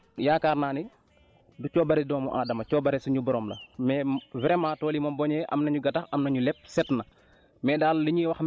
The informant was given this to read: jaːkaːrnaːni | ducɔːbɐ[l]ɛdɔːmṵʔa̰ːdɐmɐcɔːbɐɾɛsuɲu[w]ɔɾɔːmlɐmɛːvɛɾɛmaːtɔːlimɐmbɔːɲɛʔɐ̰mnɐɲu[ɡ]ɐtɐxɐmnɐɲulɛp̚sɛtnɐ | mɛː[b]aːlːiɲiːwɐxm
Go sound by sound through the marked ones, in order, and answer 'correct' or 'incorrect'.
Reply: incorrect: ɾ, incorrect: b, correct, incorrect: d

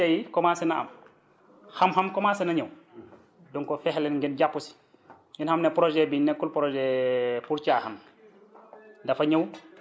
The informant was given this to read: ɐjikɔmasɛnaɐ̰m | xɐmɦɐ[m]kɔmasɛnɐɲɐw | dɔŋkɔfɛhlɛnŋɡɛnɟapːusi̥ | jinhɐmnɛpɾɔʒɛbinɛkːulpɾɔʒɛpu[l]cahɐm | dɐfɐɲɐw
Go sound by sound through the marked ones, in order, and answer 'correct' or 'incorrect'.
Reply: correct, incorrect: ɾ

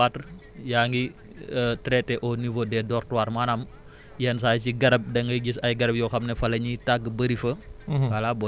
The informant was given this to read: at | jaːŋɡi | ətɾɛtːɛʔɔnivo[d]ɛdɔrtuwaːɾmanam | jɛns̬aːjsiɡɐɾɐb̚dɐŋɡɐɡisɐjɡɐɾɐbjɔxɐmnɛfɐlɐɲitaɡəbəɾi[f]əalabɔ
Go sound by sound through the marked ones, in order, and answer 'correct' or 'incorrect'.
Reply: correct, correct

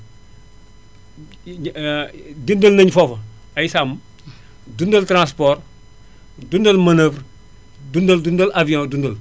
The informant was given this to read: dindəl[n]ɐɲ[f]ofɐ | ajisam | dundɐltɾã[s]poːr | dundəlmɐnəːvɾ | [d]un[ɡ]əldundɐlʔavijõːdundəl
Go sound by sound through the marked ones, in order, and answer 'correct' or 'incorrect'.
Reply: correct, correct, correct, correct, incorrect: d

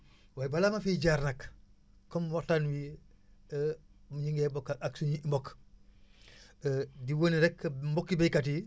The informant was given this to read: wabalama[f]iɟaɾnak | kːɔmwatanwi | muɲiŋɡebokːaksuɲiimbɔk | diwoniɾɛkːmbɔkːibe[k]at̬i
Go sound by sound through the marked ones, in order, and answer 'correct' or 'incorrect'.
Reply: correct, correct

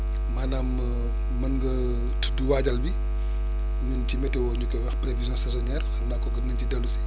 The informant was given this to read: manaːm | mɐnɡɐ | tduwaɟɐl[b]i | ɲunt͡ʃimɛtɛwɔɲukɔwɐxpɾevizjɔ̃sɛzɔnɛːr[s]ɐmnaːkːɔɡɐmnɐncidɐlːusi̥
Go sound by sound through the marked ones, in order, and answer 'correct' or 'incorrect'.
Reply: correct, incorrect: x

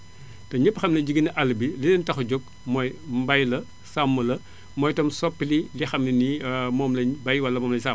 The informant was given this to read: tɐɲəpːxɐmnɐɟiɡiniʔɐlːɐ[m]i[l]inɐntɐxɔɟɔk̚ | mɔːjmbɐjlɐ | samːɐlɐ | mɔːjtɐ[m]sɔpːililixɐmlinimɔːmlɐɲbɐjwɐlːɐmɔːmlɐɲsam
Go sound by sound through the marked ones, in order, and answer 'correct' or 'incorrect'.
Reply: incorrect: b, correct, correct

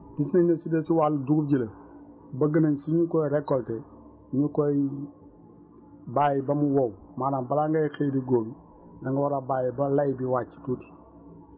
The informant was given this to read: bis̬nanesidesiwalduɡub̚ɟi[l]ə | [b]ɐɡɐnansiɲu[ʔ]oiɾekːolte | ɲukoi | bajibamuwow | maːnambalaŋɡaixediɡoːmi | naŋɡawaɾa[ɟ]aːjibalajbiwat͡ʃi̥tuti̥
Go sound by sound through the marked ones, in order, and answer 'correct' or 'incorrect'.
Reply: correct, correct, incorrect: k, incorrect: b

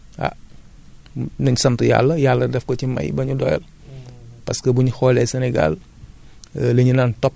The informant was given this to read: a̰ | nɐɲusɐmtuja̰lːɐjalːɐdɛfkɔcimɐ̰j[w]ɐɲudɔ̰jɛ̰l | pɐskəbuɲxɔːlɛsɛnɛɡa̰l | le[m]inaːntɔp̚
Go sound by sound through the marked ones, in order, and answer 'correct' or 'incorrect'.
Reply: incorrect: b, incorrect: ɲ

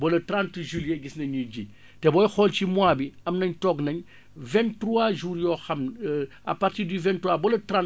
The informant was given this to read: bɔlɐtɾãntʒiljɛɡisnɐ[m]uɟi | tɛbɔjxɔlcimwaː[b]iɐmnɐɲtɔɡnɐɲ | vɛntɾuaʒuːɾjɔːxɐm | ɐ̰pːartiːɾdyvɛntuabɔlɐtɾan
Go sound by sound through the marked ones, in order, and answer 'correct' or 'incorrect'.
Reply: incorrect: ɲ, correct

